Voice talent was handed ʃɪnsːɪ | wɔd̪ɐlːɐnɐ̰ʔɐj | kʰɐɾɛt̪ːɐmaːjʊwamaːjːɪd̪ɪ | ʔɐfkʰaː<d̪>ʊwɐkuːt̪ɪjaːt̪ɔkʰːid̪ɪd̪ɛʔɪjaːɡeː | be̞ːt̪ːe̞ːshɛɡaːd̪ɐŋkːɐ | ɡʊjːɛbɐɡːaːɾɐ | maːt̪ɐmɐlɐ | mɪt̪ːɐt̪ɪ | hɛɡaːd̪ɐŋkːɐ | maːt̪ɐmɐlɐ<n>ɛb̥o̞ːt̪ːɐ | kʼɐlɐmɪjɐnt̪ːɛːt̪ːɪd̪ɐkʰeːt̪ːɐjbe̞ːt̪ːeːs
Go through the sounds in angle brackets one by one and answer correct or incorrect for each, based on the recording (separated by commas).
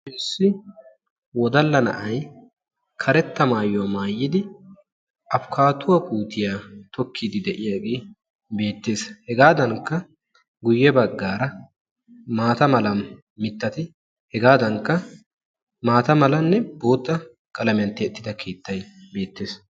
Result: incorrect, incorrect